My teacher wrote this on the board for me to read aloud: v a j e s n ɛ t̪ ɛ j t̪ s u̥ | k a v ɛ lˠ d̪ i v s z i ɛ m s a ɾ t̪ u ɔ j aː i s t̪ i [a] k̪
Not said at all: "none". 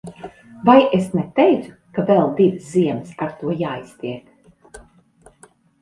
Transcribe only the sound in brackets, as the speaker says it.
ɛ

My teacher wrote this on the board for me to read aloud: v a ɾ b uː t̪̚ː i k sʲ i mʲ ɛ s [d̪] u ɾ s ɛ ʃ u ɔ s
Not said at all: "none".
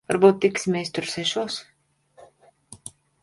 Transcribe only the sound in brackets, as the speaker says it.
t̪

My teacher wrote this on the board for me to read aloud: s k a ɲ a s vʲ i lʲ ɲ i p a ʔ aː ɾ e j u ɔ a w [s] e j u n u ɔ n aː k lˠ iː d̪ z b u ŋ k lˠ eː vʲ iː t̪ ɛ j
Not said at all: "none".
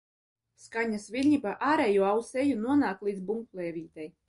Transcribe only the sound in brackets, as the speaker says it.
s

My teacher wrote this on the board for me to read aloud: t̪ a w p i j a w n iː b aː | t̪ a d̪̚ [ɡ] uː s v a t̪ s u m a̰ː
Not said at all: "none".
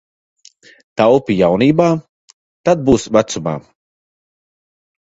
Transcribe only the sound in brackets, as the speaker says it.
b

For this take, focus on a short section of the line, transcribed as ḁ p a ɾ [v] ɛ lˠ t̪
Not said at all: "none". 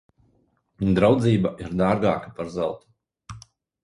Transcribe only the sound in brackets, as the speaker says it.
z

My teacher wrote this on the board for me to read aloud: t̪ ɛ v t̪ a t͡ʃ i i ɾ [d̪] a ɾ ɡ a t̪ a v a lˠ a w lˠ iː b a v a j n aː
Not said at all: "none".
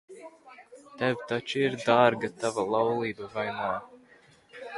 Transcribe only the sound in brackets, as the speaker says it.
d̪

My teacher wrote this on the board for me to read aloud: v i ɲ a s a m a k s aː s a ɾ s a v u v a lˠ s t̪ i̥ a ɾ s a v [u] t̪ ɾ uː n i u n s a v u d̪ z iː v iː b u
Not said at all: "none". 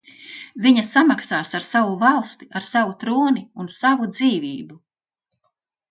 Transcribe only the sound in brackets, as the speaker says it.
u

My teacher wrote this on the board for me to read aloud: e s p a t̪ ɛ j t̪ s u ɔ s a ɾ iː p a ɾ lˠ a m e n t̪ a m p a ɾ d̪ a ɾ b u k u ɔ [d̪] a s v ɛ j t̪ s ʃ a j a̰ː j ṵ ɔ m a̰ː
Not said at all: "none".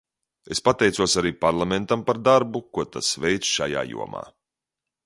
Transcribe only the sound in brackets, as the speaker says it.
t̪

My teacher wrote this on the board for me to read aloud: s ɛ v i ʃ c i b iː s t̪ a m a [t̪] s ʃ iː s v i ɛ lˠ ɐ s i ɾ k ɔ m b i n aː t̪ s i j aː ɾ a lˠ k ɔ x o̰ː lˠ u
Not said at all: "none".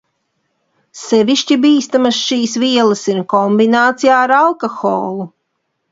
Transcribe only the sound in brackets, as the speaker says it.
none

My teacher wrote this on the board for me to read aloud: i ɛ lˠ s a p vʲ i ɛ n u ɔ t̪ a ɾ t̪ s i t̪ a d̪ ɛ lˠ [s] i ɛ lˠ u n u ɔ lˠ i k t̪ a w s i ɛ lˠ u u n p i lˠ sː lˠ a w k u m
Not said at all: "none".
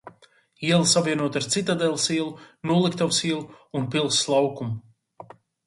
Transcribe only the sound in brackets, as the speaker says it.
s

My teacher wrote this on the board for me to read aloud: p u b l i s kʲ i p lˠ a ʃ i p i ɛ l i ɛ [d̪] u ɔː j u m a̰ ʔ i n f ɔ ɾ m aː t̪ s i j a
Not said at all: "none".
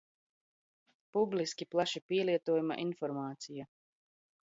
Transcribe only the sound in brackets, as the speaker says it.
t̪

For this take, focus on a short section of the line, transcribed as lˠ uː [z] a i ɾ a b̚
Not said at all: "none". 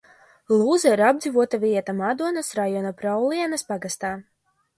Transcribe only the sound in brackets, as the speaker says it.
z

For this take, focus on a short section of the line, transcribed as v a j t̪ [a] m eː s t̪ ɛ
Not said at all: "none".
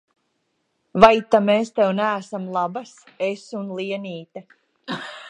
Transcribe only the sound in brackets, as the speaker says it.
a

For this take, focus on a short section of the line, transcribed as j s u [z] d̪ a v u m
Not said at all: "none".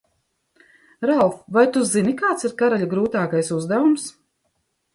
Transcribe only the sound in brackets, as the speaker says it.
z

